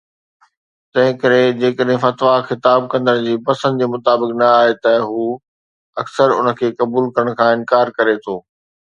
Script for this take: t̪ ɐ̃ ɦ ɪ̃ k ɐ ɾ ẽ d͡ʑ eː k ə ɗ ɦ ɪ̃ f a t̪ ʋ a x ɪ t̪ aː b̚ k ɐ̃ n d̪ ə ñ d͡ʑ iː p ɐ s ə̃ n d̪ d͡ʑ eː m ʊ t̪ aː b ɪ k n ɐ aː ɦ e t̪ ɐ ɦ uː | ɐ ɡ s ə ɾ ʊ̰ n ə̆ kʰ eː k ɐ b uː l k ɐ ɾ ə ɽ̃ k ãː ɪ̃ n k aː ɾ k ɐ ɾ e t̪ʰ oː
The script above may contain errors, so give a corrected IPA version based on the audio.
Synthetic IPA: t̪ ɐ̃ ɦ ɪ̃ k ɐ ɾ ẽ d͡ʑ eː k ə ɗ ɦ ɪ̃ f ɐ t̪ ʋ a x ɪ t̪ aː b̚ k ɐ̃ n d̪ ə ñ d͡ʑ iː p ɐ s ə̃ n d̪ d͡ʑ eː m ʊ t̪ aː b ɪ k n ɐ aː ɦ e t̪ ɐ ɦ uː | ɐ k s ə ɾ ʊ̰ n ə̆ kʰ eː k ɐ b uː l k ɐ ɾ ə ɽ̃ kʰ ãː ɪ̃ n k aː ɾ k ɐ ɾ e t̪ʰ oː